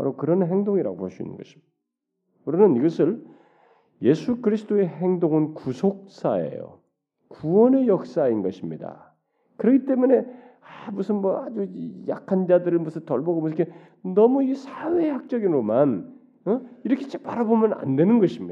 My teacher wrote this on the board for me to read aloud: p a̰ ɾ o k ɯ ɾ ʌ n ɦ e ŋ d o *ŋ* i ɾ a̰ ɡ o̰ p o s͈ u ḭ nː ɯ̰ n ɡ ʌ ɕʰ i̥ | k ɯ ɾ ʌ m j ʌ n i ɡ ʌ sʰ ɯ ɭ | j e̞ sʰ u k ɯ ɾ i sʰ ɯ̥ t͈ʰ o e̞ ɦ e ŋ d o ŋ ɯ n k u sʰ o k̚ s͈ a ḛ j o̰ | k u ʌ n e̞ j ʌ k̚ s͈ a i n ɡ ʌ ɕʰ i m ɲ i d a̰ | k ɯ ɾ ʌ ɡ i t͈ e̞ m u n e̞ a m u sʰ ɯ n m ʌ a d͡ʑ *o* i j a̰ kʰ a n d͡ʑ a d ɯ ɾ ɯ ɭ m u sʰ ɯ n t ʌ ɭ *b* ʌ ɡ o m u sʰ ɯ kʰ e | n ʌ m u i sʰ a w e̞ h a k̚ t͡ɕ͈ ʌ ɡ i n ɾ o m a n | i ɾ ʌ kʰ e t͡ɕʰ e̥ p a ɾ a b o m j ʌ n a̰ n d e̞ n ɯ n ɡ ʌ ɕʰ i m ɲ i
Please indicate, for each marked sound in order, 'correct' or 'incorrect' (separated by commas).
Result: correct, incorrect, correct